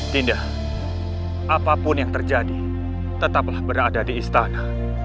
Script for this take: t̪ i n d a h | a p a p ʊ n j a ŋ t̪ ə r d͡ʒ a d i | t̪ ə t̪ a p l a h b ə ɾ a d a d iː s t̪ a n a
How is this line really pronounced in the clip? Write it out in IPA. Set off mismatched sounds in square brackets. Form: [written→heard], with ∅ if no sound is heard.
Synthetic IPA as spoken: t̪ i n d a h | a p a p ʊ n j a ŋ t̪ ə r d͡ʒ a d i | t̪ ə t̪ a p l a h b ə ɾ a d a d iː s t̪ a n a